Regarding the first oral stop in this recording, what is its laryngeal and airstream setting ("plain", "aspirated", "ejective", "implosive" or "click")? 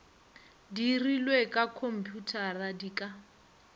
plain